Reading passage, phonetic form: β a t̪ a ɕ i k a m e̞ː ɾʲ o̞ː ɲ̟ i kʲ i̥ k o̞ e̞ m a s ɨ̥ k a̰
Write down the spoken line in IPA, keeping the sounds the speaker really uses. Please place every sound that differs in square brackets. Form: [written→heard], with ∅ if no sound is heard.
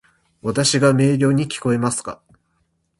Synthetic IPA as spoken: β a t̪ a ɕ i [k→ɡ] a m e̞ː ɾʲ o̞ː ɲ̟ i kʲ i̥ k o̞ e̞ m a s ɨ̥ k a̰